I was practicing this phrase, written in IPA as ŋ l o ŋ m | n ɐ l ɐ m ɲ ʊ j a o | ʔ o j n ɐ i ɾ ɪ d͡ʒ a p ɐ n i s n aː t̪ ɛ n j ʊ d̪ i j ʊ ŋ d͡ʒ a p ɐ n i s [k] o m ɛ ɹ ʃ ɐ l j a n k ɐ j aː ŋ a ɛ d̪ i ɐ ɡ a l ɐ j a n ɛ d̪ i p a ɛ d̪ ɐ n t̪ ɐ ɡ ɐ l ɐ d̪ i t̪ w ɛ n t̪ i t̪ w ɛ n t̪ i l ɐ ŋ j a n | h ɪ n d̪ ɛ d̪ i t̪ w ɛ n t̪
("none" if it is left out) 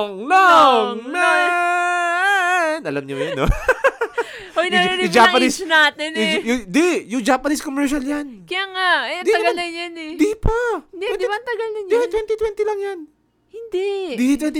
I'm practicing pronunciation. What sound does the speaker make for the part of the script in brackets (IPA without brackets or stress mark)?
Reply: k